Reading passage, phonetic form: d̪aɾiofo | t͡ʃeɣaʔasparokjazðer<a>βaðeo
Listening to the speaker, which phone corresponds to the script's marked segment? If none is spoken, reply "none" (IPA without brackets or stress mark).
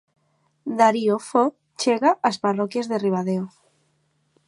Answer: i